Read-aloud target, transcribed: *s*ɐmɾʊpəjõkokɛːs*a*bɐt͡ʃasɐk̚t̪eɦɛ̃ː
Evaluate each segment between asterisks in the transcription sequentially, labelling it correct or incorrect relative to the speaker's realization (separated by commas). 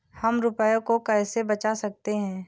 incorrect, incorrect